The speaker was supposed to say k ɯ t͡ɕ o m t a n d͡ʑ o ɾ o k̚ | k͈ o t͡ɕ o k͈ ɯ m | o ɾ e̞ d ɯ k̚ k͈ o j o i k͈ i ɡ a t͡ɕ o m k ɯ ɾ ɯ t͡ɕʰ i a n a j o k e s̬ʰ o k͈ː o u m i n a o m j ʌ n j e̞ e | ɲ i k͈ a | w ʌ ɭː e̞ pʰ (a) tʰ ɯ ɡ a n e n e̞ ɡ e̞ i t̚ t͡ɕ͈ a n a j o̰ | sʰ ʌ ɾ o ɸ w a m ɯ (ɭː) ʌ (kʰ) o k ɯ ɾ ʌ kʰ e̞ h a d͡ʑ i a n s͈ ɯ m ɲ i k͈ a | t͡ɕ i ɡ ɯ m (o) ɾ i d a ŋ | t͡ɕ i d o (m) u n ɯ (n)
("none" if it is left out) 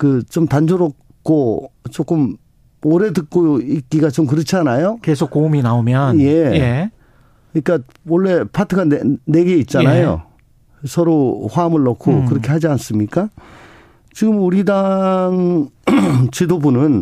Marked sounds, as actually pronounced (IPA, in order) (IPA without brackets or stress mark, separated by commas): a, ɭː, kʰ, u, b, n